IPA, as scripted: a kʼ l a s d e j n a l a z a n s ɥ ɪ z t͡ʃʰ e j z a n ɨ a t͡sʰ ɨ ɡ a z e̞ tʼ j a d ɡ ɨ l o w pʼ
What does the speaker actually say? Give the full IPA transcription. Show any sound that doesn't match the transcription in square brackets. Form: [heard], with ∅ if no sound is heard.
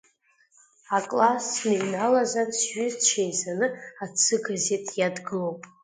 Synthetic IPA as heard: a kʼ l a s [n] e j n a l a z a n s ɥ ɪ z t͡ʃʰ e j z a n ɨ a t͡sʰ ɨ ɡ a z e̞ tʼ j a d ɡ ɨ l o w pʼ